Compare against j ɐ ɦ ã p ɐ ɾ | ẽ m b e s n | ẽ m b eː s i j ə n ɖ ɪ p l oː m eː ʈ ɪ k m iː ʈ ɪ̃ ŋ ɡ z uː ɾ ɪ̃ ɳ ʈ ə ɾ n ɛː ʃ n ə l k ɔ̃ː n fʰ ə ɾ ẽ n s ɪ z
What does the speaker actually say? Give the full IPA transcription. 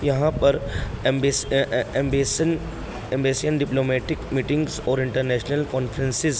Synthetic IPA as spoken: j ɐ ɦ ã p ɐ ɾ | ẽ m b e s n | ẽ m b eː s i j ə n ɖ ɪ p l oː m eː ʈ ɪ k m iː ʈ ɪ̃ ŋ ɡ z ɔː ɾ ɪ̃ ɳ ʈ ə ɾ n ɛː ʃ n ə l k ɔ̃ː n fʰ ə ɾ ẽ n s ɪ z